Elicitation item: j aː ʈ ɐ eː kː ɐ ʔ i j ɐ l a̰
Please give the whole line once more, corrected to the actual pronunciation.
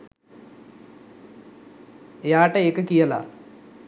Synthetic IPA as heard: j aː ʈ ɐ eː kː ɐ k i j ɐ l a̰